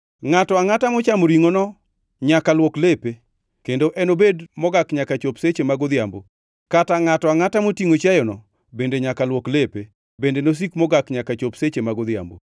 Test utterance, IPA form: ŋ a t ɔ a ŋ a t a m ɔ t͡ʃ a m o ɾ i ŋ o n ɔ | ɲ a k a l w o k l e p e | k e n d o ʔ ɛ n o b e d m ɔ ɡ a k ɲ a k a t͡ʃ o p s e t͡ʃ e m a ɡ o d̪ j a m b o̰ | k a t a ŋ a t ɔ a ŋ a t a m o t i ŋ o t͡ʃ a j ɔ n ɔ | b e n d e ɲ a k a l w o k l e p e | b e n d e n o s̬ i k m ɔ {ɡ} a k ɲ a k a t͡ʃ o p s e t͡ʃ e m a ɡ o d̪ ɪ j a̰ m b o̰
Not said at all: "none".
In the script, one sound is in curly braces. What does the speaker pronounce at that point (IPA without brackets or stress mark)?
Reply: ɡ